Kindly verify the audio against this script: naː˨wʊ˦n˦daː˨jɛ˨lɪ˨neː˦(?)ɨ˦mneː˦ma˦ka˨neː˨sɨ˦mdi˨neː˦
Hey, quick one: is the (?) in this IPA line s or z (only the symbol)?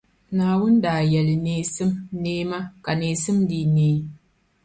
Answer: s